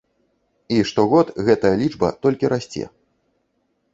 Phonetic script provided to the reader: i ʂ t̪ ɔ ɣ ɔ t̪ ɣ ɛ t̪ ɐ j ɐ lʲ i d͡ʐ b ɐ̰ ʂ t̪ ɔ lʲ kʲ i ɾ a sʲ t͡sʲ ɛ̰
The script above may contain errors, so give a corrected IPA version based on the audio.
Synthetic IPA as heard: i ʂ t̪ ɔ ɣ ɔ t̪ ɣ ɛ t̪ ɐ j ɐ lʲ i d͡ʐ b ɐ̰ t̪ ɔ lʲ kʲ i ɾ a sʲ t͡sʲ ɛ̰